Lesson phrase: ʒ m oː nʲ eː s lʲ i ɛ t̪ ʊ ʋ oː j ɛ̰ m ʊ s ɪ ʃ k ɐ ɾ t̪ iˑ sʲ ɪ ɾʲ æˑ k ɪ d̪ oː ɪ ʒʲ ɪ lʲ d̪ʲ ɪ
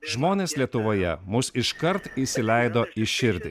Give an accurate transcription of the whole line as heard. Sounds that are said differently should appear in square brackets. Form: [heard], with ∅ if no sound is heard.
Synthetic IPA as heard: ʒ m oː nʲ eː s lʲ i ɛ t̪ ʊ ʋ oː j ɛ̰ m ʊ s ɪ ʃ k ɐ ɾ t̪ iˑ sʲ ɪ [lʲ] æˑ [∅] ɪ d̪ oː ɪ [ʃʲ] ɪ [ɾʲ] d̪ʲ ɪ

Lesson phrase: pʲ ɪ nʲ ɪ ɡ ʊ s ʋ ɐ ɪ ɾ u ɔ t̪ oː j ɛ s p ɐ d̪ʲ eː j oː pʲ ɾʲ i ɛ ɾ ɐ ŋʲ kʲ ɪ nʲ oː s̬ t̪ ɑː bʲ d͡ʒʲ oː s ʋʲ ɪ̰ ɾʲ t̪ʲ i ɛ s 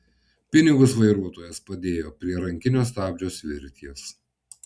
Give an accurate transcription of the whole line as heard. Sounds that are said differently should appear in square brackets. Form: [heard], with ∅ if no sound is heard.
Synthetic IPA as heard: pʲ ɪ nʲ ɪ ɡ ʊ s ʋ ɐ ɪ ɾ u ɔ t̪ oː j ɛ s p ɐ d̪ʲ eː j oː pʲ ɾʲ i ɛ ɾ ɐ ŋʲ kʲ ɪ nʲ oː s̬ t̪ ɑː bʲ d͡ʒʲ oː s ʋʲ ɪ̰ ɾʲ t̪ʲ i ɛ s

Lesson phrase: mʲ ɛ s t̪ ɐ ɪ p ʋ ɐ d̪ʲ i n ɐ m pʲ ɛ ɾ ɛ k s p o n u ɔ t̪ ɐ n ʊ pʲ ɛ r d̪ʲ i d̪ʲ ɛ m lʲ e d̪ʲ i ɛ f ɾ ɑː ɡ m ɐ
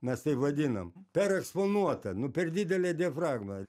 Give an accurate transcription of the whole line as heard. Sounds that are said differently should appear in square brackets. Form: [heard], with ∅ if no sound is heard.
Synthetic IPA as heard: mʲ ɛ s t̪ ɐ ɪ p ʋ ɐ d̪ʲ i n ɐ m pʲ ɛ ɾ ɛ k s p o n u ɔ t̪ ɐ n ʊ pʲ ɛ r d̪ʲ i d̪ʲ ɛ [∅] lʲ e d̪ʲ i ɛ f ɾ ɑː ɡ m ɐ

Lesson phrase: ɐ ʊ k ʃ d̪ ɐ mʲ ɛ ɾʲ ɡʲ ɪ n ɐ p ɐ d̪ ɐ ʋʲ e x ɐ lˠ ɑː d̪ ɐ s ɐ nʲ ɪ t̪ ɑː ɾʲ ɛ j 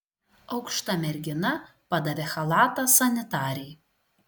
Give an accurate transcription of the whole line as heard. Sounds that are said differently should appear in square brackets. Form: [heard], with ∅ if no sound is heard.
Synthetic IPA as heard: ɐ ʊ k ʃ [t̪] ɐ mʲ ɛ ɾʲ ɡʲ ɪ n ɐ p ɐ d̪ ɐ ʋʲ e x ɐ lˠ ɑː [t̪] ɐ s ɐ nʲ ɪ t̪ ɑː ɾʲ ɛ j

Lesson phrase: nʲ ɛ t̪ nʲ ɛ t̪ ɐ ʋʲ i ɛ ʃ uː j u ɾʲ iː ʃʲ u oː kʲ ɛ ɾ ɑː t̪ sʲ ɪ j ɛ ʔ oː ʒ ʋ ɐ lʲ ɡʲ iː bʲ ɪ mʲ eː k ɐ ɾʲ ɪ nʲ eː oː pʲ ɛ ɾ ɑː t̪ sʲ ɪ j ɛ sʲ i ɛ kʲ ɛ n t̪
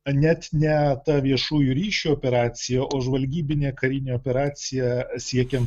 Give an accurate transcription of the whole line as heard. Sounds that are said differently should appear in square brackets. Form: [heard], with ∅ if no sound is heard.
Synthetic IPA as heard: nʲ ɛ t̪ nʲ ɛ t̪ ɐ ʋʲ i ɛ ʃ uː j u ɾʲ iː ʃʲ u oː [pʲ] ɛ ɾ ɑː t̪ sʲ ɪ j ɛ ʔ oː ʒ ʋ ɐ lʲ ɡʲ iː bʲ ɪ [nʲ] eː k ɐ ɾʲ ɪ nʲ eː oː pʲ ɛ ɾ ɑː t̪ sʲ ɪ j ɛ sʲ i ɛ kʲ ɛ n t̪

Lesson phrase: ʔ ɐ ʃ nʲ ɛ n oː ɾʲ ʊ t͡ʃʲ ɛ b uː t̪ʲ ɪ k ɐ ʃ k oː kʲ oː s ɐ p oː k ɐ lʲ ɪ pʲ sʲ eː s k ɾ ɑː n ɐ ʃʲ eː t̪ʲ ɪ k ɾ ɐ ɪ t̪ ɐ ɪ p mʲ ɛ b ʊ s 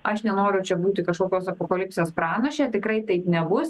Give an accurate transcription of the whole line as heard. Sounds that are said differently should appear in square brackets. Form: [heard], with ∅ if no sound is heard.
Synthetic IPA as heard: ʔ ɐ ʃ nʲ ɛ n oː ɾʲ ʊ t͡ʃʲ ɛ b uː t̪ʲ ɪ k ɐ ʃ k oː kʲ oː s ɐ p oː k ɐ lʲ ɪ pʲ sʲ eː s [p] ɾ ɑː n ɐ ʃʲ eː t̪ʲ ɪ k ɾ ɐ ɪ t̪ ɐ ɪ p [nʲ] ɛ b ʊ s

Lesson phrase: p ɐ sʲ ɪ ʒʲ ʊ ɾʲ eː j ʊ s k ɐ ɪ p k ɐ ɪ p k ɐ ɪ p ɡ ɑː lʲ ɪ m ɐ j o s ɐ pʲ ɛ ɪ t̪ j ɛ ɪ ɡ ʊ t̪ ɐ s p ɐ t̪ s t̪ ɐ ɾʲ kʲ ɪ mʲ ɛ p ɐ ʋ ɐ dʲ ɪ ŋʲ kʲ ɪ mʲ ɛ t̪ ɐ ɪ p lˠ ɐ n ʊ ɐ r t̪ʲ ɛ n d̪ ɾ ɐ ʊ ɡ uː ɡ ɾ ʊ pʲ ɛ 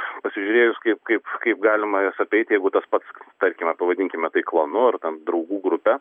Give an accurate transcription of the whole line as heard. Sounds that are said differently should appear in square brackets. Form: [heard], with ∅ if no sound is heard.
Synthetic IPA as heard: p ɐ sʲ ɪ ʒʲ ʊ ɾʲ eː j ʊ s k ɐ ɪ p k ɐ ɪ p k ɐ ɪ p ɡ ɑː lʲ ɪ m ɐ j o s ɐ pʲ ɛ ɪ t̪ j ɛ ɪ ɡ ʊ t̪ ɐ s p ɐ t̪ s t̪ ɐ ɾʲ kʲ ɪ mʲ ɛ p ɐ ʋ ɐ dʲ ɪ ŋʲ kʲ ɪ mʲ ɛ t̪ ɐ ɪ [k] lˠ ɐ n ʊ ɐ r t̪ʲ ɛ n d̪ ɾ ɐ ʊ ɡ uː ɡ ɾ ʊ pʲ ɛ

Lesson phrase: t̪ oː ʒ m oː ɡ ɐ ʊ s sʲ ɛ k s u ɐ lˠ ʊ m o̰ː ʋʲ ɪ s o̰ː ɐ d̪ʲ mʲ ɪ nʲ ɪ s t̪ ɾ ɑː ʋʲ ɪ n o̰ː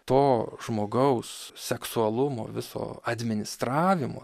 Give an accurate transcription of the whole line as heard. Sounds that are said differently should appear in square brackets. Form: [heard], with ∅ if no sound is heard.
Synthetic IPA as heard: t̪ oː ʒ m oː ɡ ɐ ʊ s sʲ ɛ k s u ɐ lˠ ʊ m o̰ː ʋʲ ɪ s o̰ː ɐ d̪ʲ mʲ ɪ nʲ ɪ s t̪ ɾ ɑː ʋʲ ɪ [m] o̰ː

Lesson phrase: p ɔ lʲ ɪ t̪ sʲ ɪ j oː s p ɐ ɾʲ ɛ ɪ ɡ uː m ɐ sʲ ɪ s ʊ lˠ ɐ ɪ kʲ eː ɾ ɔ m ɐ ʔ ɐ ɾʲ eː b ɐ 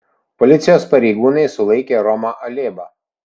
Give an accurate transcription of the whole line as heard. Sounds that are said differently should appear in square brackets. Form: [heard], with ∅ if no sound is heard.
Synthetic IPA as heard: p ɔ lʲ ɪ t̪ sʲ ɪ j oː s p ɐ ɾʲ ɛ ɪ ɡ uː [n] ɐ [∅] ɪ s ʊ lˠ ɐ ɪ kʲ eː ɾ ɔ m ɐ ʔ ɐ [lʲ] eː b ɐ

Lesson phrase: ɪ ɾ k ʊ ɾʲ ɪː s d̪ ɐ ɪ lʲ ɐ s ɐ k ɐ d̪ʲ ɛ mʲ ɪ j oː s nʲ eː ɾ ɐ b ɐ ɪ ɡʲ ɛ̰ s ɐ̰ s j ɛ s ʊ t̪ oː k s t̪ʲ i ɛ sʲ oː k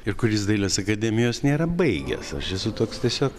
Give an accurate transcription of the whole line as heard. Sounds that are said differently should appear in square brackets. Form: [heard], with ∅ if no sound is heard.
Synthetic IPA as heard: ɪ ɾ k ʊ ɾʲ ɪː s d̪ ɐ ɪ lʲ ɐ s ɐ k ɐ d̪ʲ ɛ mʲ ɪ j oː s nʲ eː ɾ ɐ b ɐ ɪ ɡʲ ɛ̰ s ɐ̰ [ʃ] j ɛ s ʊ t̪ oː k s t̪ʲ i ɛ sʲ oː k

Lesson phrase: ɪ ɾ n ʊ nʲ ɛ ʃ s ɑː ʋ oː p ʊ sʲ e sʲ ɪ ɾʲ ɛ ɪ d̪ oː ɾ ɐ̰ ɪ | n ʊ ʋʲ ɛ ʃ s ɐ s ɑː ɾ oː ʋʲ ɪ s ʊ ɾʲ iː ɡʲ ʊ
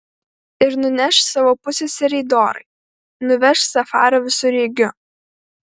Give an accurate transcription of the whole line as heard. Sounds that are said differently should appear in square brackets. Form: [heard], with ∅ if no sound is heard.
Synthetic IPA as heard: ɪ ɾ n ʊ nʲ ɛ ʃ s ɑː ʋ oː p ʊ sʲ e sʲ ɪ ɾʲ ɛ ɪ d̪ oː ɾ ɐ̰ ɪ | n ʊ ʋʲ ɛ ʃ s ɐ [f] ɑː ɾ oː ʋʲ ɪ s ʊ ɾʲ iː ɡʲ ʊ

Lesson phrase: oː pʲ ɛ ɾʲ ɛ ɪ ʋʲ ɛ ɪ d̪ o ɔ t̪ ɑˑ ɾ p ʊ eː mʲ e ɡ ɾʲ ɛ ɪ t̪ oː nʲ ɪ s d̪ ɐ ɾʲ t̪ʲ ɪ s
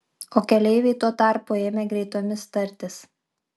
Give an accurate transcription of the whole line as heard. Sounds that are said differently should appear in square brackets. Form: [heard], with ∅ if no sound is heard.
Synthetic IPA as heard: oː [kʲ] ɛ [lʲ] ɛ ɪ ʋʲ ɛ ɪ [t̪] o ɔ t̪ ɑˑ ɾ p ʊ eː mʲ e ɡ ɾʲ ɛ ɪ t̪ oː [mʲ] ɪ s [t̪] ɐ ɾʲ t̪ʲ ɪ s

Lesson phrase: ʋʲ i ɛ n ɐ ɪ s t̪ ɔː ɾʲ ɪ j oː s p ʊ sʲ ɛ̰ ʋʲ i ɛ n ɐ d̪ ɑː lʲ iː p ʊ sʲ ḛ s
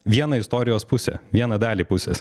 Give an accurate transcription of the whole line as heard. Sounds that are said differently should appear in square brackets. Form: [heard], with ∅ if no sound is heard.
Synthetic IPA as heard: ʋʲ i ɛ n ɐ ɪ s t̪ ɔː ɾʲ ɪ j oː s p ʊ sʲ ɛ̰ ʋʲ i ɛ n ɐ d̪ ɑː lʲ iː p ʊ sʲ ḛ s

